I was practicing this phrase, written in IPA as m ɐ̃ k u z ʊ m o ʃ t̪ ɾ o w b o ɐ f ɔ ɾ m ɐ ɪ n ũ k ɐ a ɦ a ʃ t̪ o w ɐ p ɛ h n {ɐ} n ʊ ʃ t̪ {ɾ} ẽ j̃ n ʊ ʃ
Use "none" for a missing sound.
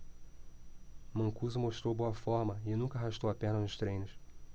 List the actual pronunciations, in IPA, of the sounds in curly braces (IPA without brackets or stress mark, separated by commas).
ɐ, ɾ